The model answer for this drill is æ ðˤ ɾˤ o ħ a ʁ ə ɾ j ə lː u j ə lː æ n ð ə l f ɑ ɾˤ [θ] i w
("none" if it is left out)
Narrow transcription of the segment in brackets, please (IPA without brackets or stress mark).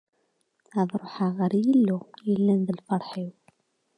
ħ